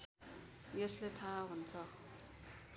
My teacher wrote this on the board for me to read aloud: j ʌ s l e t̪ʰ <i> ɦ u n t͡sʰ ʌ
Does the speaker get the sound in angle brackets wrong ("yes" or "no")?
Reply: yes